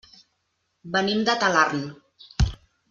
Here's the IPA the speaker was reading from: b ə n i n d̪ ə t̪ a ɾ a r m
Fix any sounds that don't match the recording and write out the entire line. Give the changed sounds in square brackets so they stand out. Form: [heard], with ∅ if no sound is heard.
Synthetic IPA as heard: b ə n i [m] d̪ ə t̪ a [l] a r [n]